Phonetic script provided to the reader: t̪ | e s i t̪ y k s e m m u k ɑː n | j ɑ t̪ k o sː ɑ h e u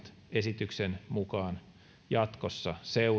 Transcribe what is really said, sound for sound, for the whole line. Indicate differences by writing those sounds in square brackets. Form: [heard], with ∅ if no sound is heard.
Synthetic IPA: t̪ | e s i t̪ y k s e [n] m u k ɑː n | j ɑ t̪ k o sː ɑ [s] e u